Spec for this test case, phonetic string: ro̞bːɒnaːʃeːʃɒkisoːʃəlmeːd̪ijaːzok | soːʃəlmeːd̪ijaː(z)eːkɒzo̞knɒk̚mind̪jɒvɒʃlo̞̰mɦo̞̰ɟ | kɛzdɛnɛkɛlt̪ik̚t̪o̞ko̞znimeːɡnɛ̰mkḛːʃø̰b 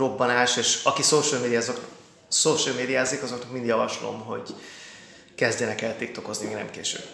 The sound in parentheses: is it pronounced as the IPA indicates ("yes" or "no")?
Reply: yes